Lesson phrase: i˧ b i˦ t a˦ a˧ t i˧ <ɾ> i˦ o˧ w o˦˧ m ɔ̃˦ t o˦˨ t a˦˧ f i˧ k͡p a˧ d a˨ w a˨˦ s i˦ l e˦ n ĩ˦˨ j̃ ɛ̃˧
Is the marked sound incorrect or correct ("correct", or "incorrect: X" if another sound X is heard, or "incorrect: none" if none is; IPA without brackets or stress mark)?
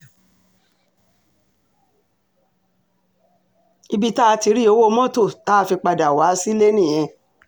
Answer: correct